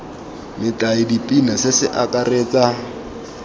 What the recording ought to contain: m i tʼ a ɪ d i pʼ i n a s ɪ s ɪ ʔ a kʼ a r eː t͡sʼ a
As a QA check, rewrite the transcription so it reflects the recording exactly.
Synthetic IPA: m ɪ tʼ a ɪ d i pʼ i n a s ɪ s ɪ ʔ a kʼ a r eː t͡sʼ a

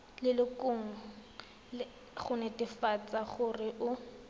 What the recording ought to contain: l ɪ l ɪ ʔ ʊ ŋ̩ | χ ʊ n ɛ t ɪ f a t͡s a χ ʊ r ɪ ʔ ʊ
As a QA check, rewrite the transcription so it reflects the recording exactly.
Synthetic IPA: l ɪ l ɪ k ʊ ŋ̩ | χ ʊ n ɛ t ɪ f a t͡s a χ ʊ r ɪ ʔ ʊ

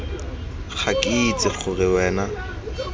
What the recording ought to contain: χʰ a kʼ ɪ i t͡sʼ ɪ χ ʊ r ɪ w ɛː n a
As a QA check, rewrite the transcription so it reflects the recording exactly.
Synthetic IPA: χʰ a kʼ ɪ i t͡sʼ ɪ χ ʊ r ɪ w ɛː n a

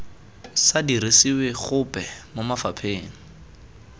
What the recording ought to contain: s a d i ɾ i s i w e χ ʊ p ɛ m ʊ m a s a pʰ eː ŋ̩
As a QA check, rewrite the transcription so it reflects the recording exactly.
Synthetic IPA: s a d i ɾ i s i w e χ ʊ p ɛ m ʊ m a f a pʰ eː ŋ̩

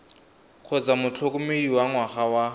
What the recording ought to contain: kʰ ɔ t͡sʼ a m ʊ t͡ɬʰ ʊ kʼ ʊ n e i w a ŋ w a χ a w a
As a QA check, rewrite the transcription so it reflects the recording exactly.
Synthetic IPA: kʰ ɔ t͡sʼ a m ʊ t͡ɬʰ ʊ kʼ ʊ m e i w a ŋ w a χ a w a

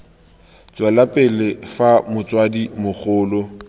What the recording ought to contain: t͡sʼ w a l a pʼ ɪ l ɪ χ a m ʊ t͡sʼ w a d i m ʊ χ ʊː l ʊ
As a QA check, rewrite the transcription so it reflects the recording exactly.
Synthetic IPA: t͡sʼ w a l a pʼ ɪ l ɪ f a m ʊ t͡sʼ w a d i m ʊ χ ʊː l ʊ

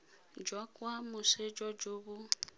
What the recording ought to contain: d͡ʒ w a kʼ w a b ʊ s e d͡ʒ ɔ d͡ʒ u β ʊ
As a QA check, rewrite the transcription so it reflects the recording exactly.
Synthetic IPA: d͡ʒ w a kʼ w a m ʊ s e d͡ʒ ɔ d͡ʒ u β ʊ

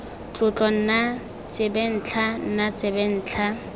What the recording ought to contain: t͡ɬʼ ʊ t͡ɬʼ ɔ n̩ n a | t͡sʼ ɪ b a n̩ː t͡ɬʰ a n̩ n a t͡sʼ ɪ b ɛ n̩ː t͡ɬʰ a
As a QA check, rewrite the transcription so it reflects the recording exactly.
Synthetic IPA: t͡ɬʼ ʊ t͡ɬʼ ɔ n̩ n a | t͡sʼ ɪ b ɛ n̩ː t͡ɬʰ a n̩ n a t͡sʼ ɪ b ɛ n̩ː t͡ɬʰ a

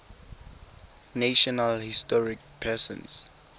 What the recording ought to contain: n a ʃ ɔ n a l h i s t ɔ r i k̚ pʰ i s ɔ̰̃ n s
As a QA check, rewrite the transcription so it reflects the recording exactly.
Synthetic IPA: n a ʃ ɔ n a l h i s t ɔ ɹ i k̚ pʰ ɛ s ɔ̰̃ n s

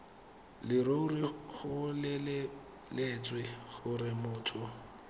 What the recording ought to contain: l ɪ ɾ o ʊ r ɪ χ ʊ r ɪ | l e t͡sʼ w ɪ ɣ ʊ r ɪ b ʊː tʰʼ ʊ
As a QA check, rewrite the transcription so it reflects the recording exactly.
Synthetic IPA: l ɪ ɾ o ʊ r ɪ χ ʊ l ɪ | l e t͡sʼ w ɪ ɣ ʊ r ɪ m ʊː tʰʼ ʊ

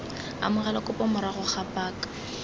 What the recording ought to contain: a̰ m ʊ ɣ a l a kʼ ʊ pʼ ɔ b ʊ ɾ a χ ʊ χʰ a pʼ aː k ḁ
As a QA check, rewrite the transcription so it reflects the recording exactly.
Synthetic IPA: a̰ m ʊ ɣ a l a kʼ ʊ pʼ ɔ m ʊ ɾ a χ ʊ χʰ a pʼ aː k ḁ

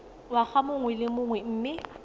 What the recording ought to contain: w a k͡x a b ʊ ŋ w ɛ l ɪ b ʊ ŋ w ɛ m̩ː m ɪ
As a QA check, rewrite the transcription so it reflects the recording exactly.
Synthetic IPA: w a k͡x a m ʊ ŋ w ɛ l ɪ m ʊ ŋ w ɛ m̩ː m ɪ

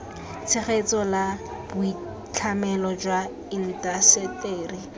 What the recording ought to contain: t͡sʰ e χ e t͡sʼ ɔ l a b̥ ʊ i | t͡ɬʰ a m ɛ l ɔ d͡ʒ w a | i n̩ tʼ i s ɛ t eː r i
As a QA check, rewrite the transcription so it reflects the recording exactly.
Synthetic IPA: t͡sʰ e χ e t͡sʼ ɔ l a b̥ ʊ i | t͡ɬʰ a m ɛ l ɔ d͡ʒ w a | i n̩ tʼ a s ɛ t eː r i

